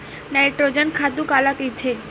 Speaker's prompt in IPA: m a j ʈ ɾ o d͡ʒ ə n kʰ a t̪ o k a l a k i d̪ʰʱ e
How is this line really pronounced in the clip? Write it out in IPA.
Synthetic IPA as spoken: n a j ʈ ɾ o d͡ʒ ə n kʰ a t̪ u k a l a k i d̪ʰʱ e